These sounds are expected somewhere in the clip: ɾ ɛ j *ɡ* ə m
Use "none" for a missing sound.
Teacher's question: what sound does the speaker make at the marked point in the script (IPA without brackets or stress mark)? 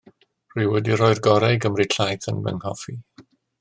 ɡ